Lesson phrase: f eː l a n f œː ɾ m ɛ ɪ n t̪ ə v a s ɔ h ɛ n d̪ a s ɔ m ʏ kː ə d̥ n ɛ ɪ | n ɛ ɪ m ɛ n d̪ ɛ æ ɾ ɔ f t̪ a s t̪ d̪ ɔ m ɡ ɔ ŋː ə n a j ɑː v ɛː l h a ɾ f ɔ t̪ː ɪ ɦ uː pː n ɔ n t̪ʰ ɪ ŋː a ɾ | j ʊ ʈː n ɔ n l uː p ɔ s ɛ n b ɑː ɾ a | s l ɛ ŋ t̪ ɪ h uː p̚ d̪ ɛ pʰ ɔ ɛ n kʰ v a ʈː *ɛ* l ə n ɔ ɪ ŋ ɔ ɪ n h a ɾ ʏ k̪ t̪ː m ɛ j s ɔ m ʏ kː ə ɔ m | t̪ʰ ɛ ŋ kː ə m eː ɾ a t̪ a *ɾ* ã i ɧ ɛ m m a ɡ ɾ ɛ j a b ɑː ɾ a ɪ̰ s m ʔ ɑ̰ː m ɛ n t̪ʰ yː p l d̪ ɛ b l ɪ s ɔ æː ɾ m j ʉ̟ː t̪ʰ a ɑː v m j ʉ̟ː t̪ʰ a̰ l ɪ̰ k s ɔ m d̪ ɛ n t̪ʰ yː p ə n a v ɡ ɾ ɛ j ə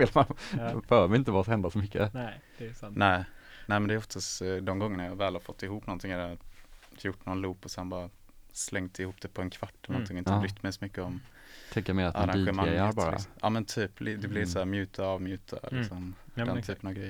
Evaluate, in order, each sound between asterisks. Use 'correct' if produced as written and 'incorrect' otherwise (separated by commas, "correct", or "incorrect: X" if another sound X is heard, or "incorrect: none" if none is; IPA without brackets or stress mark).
correct, correct